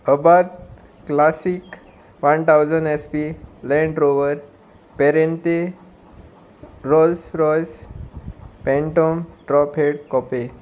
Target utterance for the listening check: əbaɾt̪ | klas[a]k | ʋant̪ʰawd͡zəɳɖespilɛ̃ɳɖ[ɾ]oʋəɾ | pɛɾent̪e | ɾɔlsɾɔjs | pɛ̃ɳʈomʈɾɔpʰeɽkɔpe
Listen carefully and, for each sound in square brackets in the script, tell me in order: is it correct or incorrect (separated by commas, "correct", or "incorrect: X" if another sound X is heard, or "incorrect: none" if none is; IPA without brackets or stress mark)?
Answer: incorrect: i, correct